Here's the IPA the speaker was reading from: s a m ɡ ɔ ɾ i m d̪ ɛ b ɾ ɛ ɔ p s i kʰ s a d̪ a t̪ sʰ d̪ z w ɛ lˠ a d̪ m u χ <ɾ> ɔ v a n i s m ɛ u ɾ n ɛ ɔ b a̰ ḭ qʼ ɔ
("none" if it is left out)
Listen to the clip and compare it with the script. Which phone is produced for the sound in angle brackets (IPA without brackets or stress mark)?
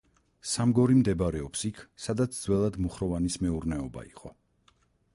ɾ